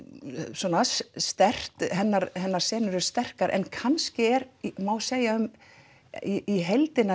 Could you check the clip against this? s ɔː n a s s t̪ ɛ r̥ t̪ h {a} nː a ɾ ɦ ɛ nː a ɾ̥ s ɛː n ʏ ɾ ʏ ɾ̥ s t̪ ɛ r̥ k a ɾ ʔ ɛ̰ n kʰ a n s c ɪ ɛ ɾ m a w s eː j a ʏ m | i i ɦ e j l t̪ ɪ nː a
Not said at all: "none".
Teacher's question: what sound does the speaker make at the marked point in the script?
ɛ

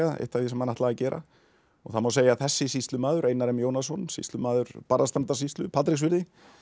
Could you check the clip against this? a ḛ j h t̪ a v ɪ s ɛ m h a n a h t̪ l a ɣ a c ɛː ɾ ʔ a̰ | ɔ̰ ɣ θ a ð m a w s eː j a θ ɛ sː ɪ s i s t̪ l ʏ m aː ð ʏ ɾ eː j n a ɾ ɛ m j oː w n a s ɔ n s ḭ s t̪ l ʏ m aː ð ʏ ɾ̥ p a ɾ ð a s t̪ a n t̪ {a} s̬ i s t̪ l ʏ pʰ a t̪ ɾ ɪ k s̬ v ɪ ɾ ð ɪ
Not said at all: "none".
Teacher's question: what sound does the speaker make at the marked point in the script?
a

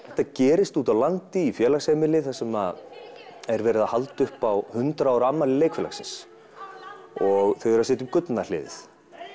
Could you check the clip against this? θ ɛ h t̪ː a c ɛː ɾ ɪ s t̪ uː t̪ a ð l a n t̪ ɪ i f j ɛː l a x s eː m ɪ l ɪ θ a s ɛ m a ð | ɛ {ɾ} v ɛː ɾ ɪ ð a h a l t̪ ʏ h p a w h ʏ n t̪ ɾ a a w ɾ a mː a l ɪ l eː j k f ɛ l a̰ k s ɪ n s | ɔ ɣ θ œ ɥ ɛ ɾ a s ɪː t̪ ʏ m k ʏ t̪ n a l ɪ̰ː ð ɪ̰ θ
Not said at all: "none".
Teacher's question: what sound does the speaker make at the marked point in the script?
ɾ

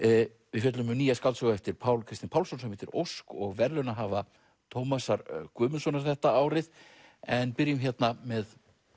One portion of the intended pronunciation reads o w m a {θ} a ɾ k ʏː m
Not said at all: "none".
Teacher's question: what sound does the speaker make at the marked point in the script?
s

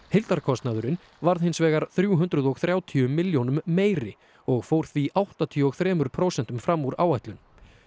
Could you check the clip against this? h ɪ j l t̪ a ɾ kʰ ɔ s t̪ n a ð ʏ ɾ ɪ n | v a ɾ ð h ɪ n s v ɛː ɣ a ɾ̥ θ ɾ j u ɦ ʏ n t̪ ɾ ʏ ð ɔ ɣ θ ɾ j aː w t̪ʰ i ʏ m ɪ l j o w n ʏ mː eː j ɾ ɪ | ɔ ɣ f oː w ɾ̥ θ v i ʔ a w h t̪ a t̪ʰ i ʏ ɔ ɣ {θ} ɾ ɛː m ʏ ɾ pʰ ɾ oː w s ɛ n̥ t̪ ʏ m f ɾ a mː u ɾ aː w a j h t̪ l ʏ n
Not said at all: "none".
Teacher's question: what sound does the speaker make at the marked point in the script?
θ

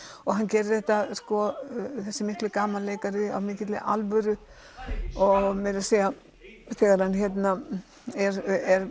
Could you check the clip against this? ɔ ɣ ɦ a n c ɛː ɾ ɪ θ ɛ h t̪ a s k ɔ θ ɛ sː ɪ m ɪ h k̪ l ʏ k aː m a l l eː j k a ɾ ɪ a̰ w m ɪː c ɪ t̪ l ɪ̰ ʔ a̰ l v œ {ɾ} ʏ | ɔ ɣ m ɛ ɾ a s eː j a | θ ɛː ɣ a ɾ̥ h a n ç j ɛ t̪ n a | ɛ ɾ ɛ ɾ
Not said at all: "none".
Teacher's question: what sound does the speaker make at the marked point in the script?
ɾ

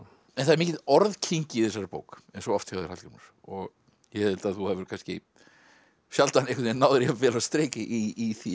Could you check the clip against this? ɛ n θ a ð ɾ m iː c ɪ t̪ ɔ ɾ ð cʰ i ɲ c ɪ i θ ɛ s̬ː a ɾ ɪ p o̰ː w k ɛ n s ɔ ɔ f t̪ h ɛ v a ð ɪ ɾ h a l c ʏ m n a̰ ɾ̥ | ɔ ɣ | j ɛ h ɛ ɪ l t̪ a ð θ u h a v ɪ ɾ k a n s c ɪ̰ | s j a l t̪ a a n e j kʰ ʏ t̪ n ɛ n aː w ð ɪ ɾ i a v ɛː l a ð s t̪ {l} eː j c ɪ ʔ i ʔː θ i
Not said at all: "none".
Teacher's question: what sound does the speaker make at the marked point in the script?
ɾ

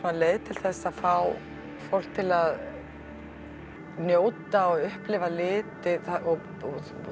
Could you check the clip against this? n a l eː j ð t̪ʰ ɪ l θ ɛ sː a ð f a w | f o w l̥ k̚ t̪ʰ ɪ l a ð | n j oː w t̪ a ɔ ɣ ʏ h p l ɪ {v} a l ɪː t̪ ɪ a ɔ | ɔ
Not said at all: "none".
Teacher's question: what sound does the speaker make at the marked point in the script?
v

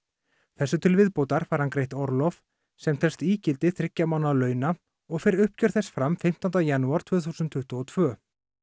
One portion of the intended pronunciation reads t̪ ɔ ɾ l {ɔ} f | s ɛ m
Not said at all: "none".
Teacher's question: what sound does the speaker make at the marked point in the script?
ɔ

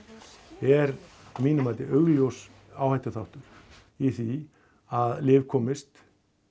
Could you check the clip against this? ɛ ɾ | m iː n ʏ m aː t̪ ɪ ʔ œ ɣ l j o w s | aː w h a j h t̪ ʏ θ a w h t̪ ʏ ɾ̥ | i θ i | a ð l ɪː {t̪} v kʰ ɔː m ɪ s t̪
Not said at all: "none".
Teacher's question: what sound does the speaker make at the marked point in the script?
none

